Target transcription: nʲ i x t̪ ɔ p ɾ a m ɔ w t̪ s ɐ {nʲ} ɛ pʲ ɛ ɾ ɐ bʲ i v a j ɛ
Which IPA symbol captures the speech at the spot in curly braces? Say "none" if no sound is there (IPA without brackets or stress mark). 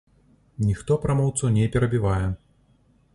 nʲ